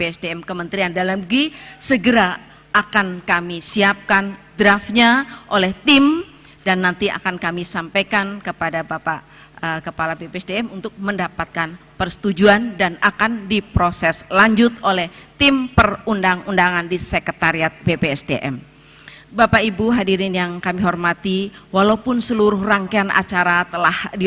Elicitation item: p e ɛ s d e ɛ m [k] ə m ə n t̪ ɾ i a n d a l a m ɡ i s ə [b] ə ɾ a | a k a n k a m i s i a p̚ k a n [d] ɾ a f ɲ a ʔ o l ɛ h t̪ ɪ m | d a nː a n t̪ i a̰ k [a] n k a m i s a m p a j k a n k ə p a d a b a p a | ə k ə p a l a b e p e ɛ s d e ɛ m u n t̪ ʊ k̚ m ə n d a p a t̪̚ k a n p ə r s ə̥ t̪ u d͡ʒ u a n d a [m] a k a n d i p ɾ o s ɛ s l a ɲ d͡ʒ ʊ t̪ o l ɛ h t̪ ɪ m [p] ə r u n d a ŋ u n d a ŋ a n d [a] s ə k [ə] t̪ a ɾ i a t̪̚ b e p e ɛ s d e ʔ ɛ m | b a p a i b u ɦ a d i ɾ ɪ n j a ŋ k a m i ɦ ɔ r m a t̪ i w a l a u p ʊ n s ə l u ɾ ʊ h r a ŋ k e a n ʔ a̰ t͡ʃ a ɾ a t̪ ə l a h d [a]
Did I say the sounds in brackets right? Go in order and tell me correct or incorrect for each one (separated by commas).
correct, incorrect, correct, correct, incorrect, correct, incorrect, correct, incorrect